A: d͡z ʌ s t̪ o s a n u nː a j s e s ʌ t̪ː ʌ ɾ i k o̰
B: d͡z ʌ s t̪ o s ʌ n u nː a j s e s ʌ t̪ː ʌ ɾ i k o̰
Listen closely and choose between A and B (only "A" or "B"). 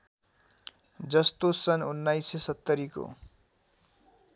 B